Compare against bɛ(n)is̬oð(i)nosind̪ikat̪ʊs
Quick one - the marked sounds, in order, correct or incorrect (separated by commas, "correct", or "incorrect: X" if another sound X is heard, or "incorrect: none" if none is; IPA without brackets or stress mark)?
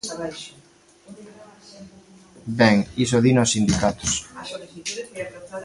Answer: incorrect: ŋ, correct